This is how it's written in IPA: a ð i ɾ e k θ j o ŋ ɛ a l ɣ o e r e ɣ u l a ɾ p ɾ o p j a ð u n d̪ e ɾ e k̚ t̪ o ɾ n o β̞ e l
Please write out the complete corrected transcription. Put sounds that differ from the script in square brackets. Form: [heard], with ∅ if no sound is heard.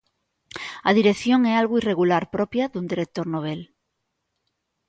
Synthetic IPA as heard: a ð i ɾ e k θ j o ŋ ɛ a l ɣ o [i] r e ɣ u l a ɾ p ɾ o p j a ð u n d̪ [i] ɾ e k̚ t̪ o ɾ n o β̞ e l